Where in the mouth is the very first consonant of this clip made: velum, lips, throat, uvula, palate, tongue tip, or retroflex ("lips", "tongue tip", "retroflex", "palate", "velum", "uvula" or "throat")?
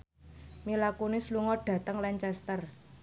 lips